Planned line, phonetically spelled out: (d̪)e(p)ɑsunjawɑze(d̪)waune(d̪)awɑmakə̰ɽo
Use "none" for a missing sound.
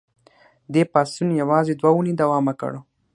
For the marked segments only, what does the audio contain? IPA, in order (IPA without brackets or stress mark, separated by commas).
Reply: d̪, p, d̪, d̪